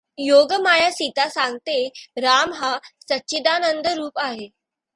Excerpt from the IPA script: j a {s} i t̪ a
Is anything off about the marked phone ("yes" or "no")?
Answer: no